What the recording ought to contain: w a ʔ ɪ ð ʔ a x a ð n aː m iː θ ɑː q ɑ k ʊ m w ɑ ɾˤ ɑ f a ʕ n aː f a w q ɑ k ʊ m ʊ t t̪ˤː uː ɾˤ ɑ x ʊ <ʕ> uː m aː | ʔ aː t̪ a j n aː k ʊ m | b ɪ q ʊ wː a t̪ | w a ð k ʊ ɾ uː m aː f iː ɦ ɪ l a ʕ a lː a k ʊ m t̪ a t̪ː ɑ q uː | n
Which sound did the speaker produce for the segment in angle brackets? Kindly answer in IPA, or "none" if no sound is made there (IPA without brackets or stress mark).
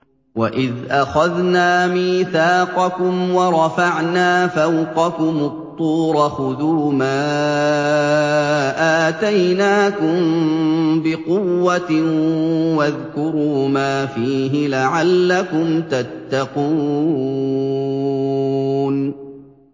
ð